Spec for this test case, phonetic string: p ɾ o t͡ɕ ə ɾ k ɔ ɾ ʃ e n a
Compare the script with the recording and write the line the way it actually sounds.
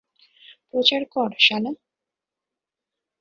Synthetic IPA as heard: p ɾ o t͡ɕ a ɾ k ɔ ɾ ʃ a n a